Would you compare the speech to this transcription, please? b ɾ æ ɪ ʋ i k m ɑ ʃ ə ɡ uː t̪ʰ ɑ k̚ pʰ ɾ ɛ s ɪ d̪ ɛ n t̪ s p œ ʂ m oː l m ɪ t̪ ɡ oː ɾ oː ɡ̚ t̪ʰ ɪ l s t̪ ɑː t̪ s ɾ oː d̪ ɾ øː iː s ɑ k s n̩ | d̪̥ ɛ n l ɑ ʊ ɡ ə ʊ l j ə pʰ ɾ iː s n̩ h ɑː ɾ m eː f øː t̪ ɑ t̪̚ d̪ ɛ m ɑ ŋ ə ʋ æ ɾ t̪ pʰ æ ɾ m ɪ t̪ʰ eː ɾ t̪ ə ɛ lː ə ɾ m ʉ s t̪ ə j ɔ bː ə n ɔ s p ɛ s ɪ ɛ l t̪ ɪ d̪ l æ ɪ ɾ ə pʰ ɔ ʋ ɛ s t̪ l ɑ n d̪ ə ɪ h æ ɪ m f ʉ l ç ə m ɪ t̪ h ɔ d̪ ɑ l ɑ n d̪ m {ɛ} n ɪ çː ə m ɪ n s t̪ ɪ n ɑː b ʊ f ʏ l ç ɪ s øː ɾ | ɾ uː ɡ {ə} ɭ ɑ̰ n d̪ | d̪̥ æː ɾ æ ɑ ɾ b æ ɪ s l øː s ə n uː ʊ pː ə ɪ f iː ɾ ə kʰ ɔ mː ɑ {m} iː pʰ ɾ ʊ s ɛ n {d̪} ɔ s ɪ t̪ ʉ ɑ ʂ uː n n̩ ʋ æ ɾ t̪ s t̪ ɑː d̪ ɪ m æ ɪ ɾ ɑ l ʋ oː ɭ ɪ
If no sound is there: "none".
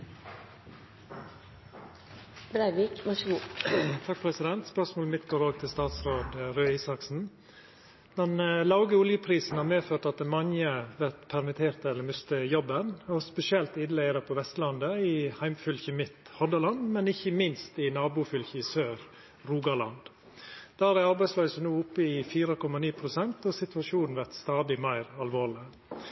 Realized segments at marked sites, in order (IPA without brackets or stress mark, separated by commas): ɛ, ɑ, n, t̪